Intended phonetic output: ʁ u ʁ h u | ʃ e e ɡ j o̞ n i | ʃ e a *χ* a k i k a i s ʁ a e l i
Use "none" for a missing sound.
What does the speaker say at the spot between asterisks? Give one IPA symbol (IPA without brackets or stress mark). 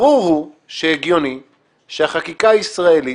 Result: χ